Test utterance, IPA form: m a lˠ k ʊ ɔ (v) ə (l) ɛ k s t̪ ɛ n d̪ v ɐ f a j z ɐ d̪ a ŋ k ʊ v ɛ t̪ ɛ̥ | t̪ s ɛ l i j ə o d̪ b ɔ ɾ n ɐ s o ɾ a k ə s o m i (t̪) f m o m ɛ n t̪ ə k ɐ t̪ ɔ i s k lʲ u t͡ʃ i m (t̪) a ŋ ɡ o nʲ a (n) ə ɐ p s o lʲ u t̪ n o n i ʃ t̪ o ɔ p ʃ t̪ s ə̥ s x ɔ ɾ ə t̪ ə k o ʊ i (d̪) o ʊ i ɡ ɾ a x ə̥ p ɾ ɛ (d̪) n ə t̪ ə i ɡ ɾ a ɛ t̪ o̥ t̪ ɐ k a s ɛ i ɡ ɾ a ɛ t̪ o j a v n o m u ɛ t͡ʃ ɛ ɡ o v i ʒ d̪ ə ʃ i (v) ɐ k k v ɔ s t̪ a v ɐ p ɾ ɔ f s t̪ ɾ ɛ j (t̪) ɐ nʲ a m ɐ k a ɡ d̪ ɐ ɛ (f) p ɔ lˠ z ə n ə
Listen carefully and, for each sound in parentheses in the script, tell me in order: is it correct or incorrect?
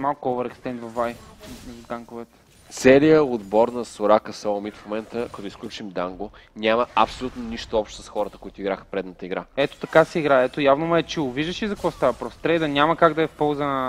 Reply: correct, incorrect, correct, incorrect, incorrect, incorrect, correct, incorrect, incorrect, correct

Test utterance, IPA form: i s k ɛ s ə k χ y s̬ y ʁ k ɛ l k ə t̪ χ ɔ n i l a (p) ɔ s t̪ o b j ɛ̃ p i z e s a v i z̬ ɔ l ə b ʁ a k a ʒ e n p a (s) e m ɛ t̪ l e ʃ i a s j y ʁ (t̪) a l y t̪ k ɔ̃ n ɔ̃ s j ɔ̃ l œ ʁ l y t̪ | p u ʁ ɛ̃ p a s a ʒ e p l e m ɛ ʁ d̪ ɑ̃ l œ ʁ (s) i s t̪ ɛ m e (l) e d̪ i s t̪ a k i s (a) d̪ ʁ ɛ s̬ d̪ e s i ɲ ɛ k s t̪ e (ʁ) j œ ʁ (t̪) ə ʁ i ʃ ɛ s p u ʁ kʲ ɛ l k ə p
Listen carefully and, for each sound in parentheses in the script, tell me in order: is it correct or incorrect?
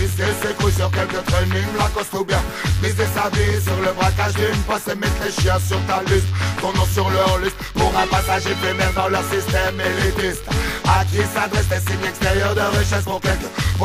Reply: incorrect, correct, correct, correct, correct, correct, correct, incorrect

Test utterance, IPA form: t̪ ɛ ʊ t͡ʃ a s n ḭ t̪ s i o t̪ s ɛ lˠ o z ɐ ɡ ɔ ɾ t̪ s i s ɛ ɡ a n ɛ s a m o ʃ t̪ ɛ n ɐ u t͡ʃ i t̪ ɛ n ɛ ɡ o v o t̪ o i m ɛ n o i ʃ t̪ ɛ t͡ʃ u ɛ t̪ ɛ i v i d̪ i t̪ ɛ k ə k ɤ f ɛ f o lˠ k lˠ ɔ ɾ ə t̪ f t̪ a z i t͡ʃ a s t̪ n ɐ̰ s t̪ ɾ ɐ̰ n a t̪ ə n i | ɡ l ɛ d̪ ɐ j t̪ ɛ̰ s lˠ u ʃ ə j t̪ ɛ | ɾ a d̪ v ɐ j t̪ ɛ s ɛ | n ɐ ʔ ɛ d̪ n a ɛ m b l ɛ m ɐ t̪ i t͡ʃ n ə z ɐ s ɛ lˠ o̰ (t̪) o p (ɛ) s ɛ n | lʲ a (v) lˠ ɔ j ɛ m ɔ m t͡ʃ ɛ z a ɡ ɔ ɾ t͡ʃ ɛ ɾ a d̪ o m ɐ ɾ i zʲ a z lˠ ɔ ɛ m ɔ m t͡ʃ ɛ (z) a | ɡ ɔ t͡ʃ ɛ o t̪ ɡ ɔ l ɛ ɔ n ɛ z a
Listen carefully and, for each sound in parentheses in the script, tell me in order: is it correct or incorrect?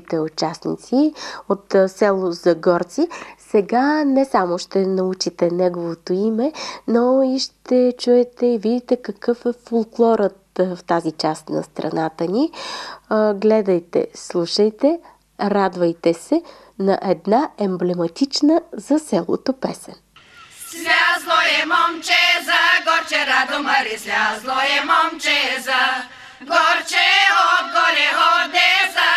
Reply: correct, correct, incorrect, correct

